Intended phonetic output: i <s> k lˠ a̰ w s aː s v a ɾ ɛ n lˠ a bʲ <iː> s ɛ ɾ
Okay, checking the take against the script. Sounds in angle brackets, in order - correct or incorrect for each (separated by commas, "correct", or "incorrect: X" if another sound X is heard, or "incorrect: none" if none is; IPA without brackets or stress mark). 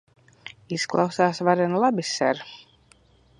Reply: correct, incorrect: i